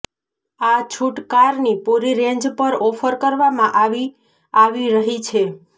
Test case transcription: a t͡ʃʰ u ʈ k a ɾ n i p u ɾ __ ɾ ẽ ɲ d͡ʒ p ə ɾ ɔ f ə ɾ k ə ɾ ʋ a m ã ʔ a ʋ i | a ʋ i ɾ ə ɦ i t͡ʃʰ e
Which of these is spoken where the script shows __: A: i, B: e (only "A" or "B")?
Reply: A